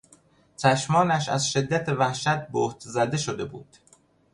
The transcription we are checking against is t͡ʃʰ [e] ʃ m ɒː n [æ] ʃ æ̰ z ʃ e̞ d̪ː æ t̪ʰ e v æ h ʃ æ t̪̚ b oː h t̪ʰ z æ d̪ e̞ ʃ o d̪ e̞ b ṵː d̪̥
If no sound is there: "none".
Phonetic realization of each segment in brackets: æ, æ

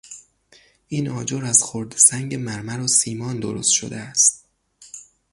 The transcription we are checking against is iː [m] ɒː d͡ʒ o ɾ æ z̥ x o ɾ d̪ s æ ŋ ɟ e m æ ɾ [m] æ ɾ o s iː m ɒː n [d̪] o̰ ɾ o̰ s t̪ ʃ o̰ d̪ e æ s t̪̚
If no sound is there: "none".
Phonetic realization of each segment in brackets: n, m, d̪

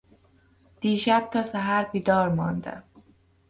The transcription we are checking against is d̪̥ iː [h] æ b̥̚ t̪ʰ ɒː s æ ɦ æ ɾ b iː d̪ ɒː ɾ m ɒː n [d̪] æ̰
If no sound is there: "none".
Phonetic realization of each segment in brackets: ʃ, d̪

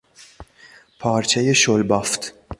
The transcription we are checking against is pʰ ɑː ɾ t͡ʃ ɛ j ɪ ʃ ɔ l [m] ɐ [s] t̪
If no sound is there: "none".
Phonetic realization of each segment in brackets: b, f

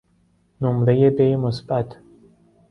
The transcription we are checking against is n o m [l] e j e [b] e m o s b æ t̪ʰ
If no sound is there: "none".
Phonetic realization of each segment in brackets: ɾ, b

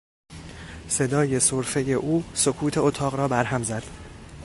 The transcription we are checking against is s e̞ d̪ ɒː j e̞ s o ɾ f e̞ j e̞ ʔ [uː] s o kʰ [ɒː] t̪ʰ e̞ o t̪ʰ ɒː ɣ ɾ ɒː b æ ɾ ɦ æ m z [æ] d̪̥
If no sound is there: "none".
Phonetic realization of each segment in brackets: uː, uː, æ

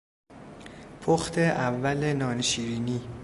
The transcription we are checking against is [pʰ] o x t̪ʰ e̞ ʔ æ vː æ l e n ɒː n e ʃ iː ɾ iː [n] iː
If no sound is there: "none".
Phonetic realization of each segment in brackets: pʰ, n

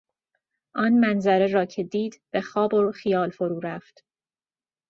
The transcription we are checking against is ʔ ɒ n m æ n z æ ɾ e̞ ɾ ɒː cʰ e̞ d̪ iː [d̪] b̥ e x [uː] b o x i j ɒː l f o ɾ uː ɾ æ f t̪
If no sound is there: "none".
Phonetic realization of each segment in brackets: d̪, ɒː

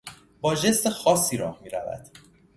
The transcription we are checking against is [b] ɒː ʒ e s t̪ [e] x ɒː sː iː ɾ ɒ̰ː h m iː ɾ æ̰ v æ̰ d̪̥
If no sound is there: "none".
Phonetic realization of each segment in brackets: b, e

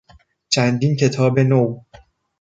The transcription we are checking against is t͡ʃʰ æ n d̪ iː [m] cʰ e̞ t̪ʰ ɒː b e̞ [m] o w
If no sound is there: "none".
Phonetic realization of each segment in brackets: n, n

